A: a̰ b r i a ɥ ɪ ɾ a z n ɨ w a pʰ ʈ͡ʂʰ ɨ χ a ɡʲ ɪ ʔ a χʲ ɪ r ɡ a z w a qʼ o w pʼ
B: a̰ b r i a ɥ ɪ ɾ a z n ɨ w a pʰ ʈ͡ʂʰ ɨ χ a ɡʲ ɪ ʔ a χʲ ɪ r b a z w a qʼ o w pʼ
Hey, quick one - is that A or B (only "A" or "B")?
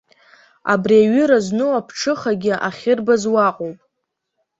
B